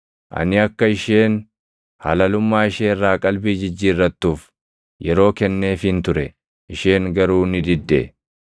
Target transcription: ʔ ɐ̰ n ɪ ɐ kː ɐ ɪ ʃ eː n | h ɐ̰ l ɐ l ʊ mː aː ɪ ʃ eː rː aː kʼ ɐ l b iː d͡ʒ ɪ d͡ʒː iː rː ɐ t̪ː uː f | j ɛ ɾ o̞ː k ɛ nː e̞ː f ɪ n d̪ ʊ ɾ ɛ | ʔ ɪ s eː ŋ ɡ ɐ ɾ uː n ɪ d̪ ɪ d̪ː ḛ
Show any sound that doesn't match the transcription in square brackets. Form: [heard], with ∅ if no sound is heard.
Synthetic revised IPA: ʔ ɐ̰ n ɪ ɐ kː ɐ ɪ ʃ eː n | h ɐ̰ l ɐ l ʊ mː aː ɪ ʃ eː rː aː kʼ ɐ l b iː d͡ʒ ɪ d͡ʒː iː rː ɐ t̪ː uː f | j ɛ ɾ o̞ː k ɛ nː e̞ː f ɪ n [t̪] ʊ ɾ ɛ | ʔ ɪ [ʃ] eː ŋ ɡ ɐ ɾ uː n ɪ d̪ ɪ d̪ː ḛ